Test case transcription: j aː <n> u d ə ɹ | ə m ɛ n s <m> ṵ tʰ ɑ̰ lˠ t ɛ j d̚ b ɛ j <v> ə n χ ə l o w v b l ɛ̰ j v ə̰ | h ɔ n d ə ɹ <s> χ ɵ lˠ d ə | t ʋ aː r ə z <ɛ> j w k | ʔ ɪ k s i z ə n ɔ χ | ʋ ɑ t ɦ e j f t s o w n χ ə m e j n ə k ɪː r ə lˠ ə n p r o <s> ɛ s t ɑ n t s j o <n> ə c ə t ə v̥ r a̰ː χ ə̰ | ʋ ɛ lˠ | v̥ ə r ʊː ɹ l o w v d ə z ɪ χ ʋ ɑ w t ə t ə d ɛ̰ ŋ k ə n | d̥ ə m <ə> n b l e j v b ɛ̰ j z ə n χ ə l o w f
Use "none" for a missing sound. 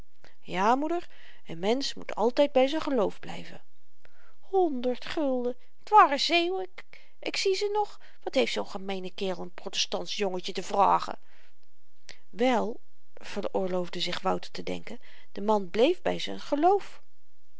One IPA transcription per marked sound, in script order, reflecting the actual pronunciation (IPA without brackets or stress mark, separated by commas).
m, m, z, t, e, t, ŋ, ɑ